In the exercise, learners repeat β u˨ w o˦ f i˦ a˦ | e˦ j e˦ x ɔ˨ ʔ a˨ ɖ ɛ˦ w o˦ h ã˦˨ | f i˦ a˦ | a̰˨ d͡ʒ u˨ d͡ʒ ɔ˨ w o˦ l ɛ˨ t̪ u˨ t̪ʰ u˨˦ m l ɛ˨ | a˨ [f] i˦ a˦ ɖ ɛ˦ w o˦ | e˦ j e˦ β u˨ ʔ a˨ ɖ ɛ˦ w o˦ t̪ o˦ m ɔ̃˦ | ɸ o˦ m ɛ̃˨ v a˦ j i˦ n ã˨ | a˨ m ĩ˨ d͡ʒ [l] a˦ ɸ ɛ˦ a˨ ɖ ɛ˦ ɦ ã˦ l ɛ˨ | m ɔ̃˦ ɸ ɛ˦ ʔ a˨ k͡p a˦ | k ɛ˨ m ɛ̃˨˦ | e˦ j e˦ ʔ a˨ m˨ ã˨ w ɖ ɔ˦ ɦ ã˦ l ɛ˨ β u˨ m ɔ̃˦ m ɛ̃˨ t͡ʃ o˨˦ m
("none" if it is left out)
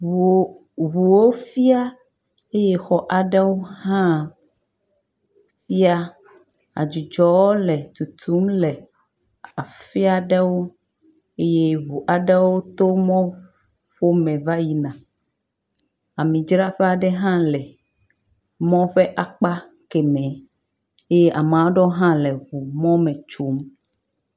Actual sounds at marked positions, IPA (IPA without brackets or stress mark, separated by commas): f, ɾ